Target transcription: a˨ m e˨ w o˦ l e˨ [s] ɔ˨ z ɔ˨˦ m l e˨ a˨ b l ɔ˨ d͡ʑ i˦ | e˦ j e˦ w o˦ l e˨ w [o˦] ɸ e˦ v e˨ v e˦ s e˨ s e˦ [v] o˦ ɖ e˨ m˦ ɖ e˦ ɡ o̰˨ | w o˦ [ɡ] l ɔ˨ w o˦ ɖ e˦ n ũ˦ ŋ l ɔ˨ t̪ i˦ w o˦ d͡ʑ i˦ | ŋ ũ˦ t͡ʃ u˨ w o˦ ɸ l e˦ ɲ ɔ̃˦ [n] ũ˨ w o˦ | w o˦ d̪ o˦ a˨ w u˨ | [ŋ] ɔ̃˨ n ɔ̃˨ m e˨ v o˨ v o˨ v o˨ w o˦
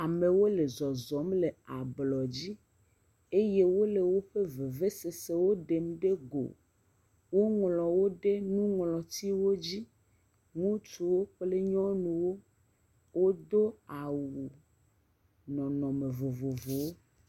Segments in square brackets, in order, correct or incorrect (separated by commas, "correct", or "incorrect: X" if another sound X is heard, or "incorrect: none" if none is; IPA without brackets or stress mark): incorrect: z, correct, incorrect: w, incorrect: ŋ, correct, incorrect: n